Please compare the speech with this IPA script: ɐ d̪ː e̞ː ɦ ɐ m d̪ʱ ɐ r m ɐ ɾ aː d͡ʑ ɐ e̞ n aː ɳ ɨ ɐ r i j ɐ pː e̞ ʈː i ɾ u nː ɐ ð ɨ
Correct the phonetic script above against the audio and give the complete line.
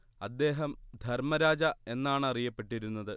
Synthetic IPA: ɐ d̪ː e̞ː ɦ ɐ m d̪ʱ ɐ r m ɐ ɾ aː d͡ʑ ɐ e̞ nː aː ɳ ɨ ɐ r i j ɐ pː e̞ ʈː i ɾ u nː ɐ ð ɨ